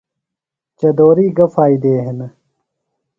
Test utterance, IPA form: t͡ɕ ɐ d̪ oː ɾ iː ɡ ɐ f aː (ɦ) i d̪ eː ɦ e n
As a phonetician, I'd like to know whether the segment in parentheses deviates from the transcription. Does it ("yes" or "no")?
yes